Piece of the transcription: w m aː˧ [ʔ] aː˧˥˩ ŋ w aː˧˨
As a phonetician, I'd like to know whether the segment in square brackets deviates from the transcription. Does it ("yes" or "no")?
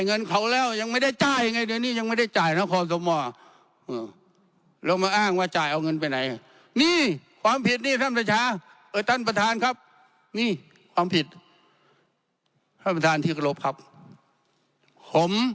no